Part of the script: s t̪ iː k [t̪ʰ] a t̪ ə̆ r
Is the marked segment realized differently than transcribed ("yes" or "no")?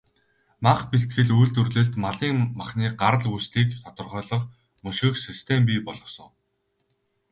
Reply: no